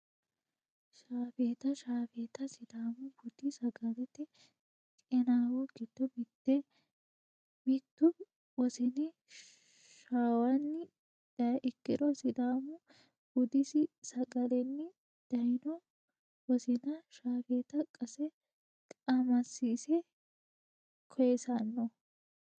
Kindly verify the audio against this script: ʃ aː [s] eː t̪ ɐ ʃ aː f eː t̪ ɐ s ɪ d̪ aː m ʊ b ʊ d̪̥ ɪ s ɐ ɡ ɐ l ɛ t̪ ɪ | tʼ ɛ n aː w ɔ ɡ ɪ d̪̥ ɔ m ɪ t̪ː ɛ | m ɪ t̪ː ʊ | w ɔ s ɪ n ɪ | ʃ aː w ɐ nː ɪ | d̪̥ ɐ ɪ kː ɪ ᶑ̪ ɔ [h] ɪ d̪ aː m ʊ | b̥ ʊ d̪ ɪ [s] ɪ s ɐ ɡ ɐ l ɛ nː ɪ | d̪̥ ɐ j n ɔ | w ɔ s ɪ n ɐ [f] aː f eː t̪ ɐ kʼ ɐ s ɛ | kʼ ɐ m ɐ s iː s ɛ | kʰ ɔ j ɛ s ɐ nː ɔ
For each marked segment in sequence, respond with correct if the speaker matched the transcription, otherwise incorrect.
incorrect: f, incorrect: s, correct, incorrect: ʃ

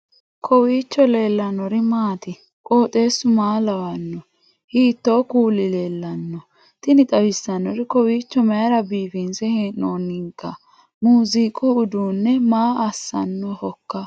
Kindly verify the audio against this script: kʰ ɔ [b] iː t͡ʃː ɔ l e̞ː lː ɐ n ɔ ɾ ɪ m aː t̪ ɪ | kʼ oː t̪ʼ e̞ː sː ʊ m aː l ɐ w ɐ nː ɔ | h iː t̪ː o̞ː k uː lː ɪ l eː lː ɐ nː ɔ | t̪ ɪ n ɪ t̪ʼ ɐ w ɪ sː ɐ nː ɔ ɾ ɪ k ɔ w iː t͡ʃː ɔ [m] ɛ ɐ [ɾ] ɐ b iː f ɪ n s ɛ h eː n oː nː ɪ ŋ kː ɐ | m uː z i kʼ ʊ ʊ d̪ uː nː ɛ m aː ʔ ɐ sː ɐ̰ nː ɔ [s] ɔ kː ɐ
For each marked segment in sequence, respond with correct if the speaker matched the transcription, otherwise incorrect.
incorrect: w, correct, correct, incorrect: h

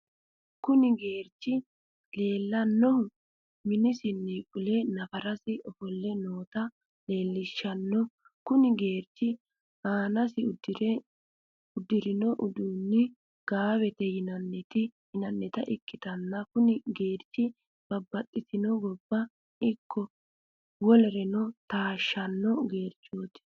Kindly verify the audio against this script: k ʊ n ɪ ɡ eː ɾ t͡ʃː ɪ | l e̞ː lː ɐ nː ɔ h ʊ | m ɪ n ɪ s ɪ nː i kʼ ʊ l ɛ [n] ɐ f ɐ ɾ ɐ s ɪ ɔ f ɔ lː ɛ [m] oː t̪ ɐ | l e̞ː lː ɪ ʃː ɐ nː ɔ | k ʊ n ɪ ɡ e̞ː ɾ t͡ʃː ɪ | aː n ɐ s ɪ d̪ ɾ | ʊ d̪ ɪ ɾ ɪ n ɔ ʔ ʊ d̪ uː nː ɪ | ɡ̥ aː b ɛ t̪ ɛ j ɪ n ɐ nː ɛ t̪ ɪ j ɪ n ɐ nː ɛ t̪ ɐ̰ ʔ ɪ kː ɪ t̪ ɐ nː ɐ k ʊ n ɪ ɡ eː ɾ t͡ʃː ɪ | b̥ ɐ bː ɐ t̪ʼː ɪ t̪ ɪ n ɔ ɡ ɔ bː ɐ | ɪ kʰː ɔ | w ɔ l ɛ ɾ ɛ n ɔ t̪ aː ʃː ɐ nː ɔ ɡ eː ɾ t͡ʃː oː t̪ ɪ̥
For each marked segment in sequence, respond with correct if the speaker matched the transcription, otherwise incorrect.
correct, incorrect: n

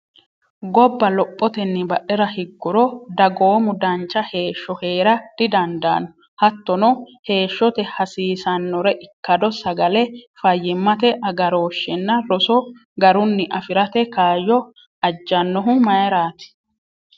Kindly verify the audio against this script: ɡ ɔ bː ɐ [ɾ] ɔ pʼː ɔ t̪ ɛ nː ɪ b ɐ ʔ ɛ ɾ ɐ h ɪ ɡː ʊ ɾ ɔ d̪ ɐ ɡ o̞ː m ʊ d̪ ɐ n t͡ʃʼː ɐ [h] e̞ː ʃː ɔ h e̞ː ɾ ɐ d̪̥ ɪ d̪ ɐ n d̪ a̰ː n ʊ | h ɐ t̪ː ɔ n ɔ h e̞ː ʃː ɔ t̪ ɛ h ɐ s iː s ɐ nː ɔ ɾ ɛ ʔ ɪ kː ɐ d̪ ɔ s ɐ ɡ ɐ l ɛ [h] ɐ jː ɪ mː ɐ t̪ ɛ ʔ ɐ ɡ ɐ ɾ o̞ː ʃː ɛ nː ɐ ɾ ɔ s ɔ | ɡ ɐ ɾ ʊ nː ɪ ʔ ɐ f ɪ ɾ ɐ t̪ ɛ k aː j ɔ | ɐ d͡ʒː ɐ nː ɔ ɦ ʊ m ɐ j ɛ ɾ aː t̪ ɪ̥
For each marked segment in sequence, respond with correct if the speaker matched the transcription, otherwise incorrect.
incorrect: l, correct, incorrect: f

